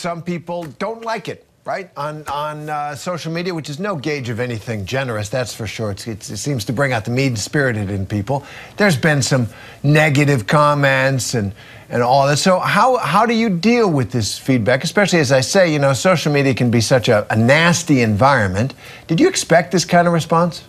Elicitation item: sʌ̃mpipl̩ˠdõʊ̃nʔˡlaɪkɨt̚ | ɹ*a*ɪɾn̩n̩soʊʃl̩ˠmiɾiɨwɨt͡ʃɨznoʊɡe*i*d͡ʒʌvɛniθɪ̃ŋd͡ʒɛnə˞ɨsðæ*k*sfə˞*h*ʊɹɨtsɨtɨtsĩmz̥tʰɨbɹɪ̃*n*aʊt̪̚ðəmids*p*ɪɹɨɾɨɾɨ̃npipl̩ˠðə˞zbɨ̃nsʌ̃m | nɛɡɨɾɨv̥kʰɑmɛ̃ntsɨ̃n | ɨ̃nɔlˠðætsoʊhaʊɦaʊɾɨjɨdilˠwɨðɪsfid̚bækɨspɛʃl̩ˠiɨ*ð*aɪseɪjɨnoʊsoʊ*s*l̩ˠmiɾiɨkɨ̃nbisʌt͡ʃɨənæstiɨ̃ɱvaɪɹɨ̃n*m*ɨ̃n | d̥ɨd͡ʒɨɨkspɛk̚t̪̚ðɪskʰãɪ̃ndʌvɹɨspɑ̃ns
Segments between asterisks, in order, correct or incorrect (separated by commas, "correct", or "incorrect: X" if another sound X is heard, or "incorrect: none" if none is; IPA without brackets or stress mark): correct, incorrect: ɪ, incorrect: t, incorrect: ʃ, incorrect: ŋ, correct, incorrect: z, incorrect: ʃ, correct